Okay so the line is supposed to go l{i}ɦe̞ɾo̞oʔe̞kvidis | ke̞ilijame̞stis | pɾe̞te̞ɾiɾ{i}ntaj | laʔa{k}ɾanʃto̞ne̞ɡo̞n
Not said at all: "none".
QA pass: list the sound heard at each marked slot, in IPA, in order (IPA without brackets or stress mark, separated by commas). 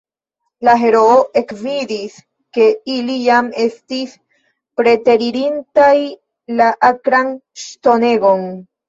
a, i, k